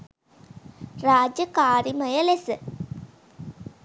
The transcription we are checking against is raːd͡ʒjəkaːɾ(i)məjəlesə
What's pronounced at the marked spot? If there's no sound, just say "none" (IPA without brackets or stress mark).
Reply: i